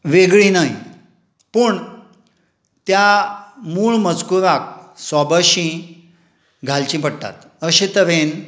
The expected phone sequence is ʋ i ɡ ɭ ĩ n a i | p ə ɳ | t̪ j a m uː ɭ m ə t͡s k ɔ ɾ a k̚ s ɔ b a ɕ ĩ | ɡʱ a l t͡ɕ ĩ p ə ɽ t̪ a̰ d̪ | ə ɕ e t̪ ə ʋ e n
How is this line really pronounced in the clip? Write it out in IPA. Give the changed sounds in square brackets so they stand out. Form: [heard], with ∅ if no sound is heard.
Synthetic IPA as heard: ʋ [e] ɡ ɭ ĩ n a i | p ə ɳ | t̪ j a m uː ɭ m ə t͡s k [u] ɾ a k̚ s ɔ b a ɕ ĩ | ɡʱ a l t͡ɕ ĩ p ə ɽ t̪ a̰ [t̪] | ə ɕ e t̪ ə ʋ e n